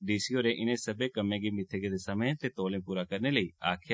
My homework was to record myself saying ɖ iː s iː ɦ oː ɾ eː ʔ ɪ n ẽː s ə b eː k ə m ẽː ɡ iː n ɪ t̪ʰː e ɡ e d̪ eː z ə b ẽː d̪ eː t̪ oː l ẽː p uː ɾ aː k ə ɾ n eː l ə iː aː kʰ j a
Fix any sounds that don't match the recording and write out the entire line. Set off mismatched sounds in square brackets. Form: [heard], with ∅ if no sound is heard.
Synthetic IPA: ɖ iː s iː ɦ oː ɾ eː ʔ ɪ n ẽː s ə b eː k ə m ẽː ɡ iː [m] ɪ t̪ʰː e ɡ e d̪ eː [s] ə [m] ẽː [t̪] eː t̪ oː l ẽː p uː ɾ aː k ə ɾ n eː l ə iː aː kʰ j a